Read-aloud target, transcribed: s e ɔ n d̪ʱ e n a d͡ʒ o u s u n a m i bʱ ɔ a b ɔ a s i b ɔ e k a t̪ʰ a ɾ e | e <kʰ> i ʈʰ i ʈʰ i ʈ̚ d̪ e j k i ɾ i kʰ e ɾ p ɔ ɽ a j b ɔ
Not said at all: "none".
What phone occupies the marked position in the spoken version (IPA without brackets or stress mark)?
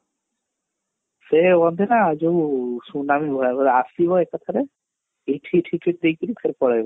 ʈʰ